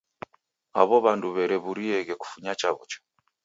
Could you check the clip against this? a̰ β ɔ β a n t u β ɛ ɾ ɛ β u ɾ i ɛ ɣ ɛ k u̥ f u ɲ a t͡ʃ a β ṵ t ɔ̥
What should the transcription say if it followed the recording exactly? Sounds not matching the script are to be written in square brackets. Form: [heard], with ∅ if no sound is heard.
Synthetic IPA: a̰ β ɔ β a n [d] u β ɛ ɾ ɛ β u ɾ i ɛ ɣ ɛ k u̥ f u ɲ a t͡ʃ a β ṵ [t͡ʃ] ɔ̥